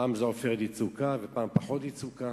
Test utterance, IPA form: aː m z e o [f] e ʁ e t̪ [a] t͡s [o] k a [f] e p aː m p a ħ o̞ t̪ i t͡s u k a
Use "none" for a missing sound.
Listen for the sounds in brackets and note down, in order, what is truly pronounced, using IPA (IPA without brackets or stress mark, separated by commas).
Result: f, i, u, v